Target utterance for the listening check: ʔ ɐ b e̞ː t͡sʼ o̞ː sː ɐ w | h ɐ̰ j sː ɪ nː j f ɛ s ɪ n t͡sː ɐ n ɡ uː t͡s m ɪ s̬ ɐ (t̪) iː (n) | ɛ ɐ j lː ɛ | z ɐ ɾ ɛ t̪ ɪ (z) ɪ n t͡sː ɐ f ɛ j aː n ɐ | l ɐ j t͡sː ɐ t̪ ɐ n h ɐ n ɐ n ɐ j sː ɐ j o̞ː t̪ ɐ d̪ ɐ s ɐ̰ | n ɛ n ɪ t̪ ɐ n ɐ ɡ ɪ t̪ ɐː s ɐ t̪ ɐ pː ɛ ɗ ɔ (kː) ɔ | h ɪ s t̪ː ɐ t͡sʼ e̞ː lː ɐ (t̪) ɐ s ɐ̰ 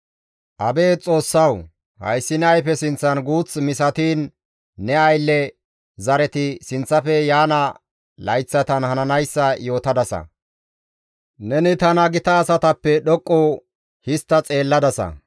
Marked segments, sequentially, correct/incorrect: correct, incorrect: nː, incorrect: s, incorrect: kʼː, incorrect: d̪

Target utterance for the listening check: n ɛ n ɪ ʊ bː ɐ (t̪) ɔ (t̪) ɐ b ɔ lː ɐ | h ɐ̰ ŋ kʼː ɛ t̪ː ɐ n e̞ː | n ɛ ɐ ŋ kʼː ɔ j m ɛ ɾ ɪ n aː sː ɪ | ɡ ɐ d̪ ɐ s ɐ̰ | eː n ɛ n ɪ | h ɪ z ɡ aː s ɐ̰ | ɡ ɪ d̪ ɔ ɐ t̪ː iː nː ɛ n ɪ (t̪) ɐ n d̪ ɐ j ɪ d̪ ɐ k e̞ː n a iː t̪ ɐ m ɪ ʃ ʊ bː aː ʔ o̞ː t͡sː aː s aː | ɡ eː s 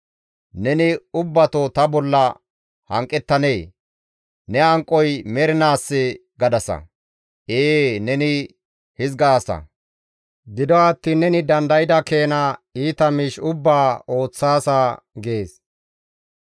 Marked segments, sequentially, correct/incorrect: correct, correct, incorrect: d̪

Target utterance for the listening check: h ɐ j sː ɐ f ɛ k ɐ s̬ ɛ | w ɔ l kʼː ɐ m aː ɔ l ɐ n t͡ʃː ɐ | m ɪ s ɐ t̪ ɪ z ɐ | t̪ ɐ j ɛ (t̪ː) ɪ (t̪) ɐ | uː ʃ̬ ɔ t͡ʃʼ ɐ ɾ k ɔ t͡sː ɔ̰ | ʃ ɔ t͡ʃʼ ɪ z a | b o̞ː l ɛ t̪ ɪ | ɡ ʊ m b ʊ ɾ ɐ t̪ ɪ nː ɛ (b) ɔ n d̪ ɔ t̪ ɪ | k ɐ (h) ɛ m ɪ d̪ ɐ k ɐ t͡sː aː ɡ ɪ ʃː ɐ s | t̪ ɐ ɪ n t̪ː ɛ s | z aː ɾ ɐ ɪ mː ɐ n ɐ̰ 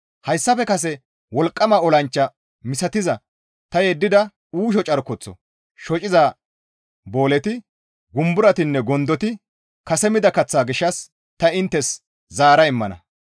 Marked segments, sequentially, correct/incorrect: incorrect: d̪ː, incorrect: d̪, incorrect: ɡ, incorrect: s

